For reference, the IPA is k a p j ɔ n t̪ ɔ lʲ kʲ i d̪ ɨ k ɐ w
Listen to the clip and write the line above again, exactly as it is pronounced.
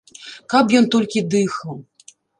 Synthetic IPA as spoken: k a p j ɔ n t̪ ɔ lʲ kʲ i d̪ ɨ x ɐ w